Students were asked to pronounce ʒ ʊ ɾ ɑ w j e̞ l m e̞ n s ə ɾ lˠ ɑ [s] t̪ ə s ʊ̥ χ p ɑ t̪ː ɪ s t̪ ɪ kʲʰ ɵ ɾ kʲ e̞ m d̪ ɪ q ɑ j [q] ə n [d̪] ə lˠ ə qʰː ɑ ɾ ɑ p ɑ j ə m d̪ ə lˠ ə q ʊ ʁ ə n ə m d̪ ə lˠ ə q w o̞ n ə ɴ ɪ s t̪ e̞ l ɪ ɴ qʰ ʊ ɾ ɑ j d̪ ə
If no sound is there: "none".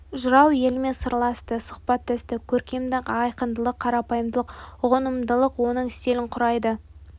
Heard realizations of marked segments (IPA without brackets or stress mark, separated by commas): s, q, d̪